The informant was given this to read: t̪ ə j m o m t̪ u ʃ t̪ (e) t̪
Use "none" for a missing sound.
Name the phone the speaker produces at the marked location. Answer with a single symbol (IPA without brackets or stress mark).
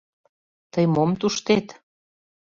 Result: e